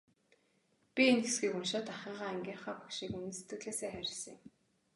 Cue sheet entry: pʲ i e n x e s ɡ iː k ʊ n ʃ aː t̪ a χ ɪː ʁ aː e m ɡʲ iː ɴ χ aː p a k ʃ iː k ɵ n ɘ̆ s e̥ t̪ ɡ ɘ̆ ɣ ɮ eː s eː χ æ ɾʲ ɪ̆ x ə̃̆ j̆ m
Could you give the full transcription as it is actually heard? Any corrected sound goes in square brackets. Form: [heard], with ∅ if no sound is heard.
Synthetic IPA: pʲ i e n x e s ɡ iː k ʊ n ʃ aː t̪ a χ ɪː ʁ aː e [ŋ] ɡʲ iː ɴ χ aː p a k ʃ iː k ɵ n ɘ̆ s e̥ t̪ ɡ ɘ̆ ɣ ɮ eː s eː χ æ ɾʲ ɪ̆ [s] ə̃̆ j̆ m

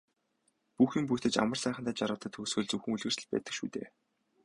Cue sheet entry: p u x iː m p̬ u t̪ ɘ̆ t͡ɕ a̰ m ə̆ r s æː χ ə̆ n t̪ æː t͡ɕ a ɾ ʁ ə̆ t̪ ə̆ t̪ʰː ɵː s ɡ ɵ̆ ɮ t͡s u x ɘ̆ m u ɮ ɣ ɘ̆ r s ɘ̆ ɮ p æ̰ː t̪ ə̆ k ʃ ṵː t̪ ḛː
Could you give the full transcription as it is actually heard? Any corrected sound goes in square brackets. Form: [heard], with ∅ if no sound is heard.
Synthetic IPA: p u x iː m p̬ u t̪ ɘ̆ t͡ɕ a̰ m ə̆ r s æː χ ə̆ n t̪ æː t͡ɕ a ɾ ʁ ə̆ t̪ ə̆ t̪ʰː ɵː s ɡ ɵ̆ ɮ t͡s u x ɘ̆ [ŋ] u ɮ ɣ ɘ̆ r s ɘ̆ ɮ p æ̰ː t̪ ə̆ k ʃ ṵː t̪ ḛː

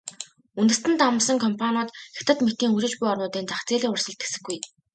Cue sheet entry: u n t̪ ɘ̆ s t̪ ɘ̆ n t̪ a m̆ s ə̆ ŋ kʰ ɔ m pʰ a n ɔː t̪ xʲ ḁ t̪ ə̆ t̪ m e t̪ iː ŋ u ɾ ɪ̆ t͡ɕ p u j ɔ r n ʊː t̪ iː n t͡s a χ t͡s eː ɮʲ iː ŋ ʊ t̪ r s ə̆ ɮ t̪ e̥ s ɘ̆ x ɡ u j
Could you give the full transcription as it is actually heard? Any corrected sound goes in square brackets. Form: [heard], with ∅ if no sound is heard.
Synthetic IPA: u n t̪ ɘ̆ s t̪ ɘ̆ n t̪ a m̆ s ə̆ ŋ kʰ ɔ m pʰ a n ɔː t̪ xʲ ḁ t̪ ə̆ t̪ m e t̪ iː ŋ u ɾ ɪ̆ t͡ɕ p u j ɔ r n ʊː t̪ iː n t͡s a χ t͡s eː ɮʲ iː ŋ ʊ [∅] r s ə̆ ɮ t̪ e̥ s ɘ̆ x ɡ u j

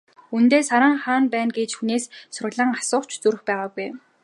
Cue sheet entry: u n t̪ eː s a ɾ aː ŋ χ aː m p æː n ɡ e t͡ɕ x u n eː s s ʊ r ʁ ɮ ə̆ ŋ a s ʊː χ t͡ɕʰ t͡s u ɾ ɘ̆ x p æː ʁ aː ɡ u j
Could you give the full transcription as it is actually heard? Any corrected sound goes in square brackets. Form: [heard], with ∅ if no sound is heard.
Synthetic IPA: u n t̪ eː s a ɾ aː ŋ χ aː [n] p æː n ɡ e t͡ɕ x u n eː s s ʊ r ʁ ɮ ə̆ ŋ a s ʊː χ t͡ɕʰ t͡s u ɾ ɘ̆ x p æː ʁ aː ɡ u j

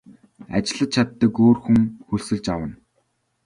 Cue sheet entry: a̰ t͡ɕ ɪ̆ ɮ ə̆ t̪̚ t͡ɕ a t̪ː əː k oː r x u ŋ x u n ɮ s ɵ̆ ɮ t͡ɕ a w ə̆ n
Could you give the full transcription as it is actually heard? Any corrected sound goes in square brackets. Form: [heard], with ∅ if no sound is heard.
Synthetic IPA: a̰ t͡ɕ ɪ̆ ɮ ə̆ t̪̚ [t͡ɕʰ] a t̪ː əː k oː r x u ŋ x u [∅] ɮ s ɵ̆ ɮ t͡ɕ a w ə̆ n

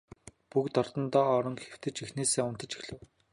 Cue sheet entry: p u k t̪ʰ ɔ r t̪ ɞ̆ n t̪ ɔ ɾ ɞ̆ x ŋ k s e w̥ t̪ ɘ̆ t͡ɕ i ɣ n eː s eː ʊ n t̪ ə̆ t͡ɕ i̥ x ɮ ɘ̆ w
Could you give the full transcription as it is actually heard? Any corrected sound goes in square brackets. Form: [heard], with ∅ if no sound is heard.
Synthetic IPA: p u k [t̪] ɔ r t̪ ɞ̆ n t̪ [ɔː] ɾ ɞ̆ [∅] ŋ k [x] e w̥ t̪ ɘ̆ t͡ɕ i [x] n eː s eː ʊ n t̪ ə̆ t͡ɕ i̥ x ɮ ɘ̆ w

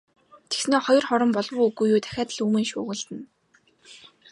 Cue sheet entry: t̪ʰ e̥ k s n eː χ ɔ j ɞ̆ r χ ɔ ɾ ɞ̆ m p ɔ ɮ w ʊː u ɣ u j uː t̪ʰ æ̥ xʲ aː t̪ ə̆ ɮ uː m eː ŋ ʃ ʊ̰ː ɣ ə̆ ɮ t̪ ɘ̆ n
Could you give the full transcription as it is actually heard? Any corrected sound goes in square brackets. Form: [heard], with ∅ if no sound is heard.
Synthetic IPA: t̪ʰ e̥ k s n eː χ ɔ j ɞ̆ r χ ɔ ɾ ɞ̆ m p ɔ ɮ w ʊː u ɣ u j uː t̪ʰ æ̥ xʲ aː t̪ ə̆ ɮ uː m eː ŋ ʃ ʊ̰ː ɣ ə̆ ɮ t̪ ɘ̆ n

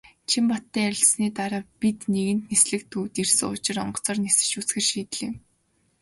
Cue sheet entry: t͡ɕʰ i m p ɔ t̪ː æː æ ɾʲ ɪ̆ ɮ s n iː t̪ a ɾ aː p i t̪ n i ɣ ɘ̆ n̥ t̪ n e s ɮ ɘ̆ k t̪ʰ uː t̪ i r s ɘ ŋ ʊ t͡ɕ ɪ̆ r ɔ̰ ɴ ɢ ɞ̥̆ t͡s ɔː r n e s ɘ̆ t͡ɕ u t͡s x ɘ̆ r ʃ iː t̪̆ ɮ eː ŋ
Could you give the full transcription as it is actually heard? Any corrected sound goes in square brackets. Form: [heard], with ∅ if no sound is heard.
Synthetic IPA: t͡ɕʰ i m p ɔ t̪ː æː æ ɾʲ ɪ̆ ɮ s n iː t̪ a ɾ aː p i t̪ n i ɣ ɘ̆ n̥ t̪ n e s ɮ ɘ̆ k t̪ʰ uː t̪ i r s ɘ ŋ ʊ t͡ɕ ɪ̆ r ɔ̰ ɴ ɢ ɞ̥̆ t͡s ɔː r n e s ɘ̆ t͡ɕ u t͡s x ɘ̆ r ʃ iː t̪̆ ɮ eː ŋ

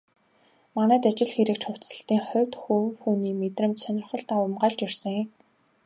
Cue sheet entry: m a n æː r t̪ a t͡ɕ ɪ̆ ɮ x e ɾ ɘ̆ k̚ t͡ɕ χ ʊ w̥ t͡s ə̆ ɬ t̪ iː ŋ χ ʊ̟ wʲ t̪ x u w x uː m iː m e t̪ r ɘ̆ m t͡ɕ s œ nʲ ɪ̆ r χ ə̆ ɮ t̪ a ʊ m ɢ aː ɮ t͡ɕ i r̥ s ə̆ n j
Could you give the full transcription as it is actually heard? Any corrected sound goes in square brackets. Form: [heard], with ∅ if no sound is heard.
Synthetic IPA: m a n æː [∅] t̪ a t͡ɕ ɪ̆ ɮ x e ɾ ɘ̆ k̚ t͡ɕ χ ʊ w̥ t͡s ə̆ ɬ t̪ iː ŋ χ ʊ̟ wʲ t̪ x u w x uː [n] iː m e t̪ r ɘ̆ m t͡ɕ s œ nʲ ɪ̆ r χ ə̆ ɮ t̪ a ʊ m ɢ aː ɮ t͡ɕ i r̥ s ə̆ [ŋ] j

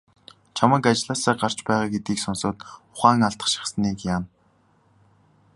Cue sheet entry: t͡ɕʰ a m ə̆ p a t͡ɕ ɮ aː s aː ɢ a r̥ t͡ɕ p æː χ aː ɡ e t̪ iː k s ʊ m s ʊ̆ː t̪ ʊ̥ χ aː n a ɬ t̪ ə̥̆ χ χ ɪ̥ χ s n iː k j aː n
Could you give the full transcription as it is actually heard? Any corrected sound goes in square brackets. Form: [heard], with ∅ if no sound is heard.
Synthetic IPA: t͡ɕʰ a m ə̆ [k] a t͡ɕ ɮ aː s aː ɢ a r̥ t͡ɕ p æː [ʁ] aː ɡ e t̪ iː k s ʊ [n] s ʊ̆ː t̪ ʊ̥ χ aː [ŋ] a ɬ t̪ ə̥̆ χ [ʃ] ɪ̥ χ s n iː k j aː n

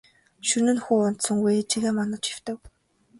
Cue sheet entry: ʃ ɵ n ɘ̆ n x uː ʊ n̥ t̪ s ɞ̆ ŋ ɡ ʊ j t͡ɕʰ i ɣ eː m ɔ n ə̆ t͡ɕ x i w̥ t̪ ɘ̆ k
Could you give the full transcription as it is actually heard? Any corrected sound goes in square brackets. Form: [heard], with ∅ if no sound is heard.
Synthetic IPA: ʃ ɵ n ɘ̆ n x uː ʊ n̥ t̪ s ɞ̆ ŋ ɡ [u] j t͡ɕʰ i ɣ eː m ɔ n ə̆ t͡ɕ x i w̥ t̪ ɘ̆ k

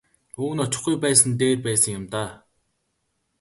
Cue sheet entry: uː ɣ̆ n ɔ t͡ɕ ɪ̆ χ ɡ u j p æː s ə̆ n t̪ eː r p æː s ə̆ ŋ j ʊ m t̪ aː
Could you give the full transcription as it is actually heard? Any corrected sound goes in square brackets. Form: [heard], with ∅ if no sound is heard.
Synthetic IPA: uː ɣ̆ n ɔ t͡ɕ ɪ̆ χ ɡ u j p æː s ə̆ n t̪ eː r p æː s ə̆ ŋ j ʊ m t̪ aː

